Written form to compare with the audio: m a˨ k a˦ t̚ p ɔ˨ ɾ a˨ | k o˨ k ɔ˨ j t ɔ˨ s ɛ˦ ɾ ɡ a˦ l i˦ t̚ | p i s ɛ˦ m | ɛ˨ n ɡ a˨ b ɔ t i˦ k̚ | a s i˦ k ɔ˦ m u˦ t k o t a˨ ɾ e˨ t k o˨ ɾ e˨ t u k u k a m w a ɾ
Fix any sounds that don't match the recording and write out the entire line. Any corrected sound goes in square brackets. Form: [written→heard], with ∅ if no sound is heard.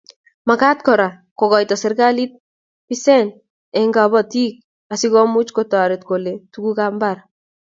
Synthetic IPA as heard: m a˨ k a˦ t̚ [p→k] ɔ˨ ɾ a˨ | k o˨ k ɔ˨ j t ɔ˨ s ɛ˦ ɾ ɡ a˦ l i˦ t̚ | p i s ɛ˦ [m→n] | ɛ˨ [n→ŋ] ɡ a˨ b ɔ t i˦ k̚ | a s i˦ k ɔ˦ m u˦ [t→t͡ʃ] k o t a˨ ɾ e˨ t k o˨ [ɾ→l] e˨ t u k u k a m [w→b] a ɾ